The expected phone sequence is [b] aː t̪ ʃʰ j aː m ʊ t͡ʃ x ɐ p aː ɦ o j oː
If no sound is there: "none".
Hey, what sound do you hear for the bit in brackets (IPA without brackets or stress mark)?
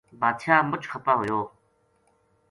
b